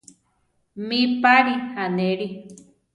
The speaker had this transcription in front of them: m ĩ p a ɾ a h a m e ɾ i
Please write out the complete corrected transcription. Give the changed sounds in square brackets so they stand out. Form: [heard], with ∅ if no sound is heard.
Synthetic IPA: m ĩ p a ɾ [i] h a [n] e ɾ i